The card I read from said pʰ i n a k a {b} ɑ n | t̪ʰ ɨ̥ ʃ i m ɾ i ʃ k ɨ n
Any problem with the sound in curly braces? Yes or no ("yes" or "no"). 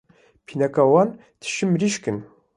yes